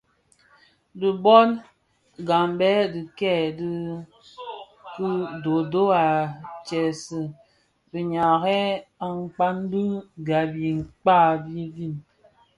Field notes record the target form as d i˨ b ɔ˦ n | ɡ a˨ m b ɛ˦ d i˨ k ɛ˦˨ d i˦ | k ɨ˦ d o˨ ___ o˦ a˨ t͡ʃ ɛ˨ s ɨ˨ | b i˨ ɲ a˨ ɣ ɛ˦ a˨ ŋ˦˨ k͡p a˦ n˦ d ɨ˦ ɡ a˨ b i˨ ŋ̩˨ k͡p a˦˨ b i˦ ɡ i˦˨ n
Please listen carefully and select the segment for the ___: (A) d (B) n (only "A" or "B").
A